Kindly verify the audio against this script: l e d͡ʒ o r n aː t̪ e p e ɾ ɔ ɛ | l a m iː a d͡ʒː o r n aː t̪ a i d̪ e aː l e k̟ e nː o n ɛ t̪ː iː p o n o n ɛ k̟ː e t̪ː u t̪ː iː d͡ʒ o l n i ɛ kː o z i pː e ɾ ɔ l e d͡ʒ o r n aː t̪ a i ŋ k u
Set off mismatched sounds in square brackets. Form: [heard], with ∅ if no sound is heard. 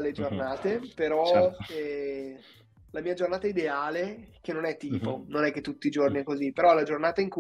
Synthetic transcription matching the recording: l e d͡ʒ o r n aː t̪ e p e ɾ ɔ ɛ | l a m iː a [d͡ʒ] o r n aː t̪ a i d̪ e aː l e k̟ e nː o n ɛ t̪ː iː p o n o n ɛ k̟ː e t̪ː u t̪ː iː d͡ʒ o [r] n i ɛ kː o z i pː e ɾ ɔ l [a] d͡ʒ o r n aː t̪ a i ŋ k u